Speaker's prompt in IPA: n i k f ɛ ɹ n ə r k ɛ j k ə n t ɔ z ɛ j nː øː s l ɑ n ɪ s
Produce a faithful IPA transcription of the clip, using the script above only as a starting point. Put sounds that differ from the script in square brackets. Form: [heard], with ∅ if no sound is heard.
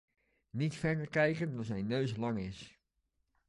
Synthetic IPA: n i [t] f ɛ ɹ [d] ə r k ɛ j k ə n [d] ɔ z ɛ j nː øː s l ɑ [ŋ] ɪ s